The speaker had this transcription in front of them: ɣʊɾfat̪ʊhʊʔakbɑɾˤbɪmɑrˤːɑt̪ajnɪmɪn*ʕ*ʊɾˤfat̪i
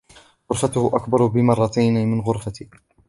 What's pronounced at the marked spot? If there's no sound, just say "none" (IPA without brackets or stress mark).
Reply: ɣ